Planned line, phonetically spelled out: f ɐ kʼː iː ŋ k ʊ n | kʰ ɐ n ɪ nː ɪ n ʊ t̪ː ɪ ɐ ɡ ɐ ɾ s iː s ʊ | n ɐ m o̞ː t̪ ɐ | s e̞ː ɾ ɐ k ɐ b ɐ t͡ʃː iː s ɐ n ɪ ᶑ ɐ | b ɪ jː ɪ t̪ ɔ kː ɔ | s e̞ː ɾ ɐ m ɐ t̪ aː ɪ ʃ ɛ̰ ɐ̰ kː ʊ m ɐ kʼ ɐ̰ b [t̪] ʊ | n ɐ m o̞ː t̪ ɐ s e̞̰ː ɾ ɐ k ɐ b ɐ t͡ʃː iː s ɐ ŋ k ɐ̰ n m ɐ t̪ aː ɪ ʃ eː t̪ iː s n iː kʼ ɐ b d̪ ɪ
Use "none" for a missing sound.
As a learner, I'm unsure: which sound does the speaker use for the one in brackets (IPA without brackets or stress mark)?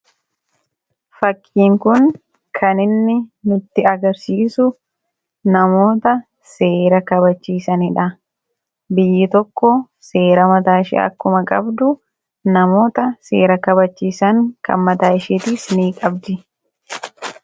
d̪